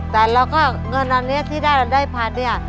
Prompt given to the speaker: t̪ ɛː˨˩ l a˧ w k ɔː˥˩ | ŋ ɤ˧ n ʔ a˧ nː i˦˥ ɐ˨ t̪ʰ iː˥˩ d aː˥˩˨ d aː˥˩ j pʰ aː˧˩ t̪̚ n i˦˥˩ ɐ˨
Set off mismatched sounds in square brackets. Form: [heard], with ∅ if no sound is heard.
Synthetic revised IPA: t̪ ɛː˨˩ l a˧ w k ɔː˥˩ | ŋ ɤ˧ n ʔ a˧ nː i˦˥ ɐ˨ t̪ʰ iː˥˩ d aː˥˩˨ d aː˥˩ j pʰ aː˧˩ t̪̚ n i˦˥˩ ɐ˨